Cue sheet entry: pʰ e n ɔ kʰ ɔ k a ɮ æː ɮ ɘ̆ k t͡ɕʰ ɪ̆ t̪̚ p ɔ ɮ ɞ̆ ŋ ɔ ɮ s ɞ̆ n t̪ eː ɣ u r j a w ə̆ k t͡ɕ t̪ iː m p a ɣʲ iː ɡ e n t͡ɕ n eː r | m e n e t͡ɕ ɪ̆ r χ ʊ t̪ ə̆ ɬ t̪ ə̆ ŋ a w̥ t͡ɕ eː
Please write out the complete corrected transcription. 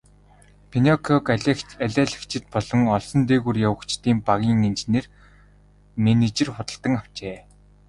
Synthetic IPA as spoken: pʰ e n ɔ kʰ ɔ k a ɮ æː ɮ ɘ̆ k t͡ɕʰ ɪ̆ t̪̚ p ɔ ɮ ɞ̆ ŋ ɔ ɮ s ɞ̆ n t̪ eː ɣ u r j a w ə̆ k t͡ɕ t̪ iː m p a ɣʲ iː ŋ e n t͡ɕ n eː r | m e n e t͡ɕ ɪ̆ r χ ʊ t̪ ə̆ ɬ t̪ ə̆ ŋ a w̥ t͡ɕ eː